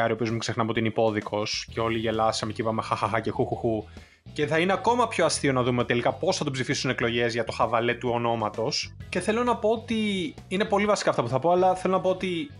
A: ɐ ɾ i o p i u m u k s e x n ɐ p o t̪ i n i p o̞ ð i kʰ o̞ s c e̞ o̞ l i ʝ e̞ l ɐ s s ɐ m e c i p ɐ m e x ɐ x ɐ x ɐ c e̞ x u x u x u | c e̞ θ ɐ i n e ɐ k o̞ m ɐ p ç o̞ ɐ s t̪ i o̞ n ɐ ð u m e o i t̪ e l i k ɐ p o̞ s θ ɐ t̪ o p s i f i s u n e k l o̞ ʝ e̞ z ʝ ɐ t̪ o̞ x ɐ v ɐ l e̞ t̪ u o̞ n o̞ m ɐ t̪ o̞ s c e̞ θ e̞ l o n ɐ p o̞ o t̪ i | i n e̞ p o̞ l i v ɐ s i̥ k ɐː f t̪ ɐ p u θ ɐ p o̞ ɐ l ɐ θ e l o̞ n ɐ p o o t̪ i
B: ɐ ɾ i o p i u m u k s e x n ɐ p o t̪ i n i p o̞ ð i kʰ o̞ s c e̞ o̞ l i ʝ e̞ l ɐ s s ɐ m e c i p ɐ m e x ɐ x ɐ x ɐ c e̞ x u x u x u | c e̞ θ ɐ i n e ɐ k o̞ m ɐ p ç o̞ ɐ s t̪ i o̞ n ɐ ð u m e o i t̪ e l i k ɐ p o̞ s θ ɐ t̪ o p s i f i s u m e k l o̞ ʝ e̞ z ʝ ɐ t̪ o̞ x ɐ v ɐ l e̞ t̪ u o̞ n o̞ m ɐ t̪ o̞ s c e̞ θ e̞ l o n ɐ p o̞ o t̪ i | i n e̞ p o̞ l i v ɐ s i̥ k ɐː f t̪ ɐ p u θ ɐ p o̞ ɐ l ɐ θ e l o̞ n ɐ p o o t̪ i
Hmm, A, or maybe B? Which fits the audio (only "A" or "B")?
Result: A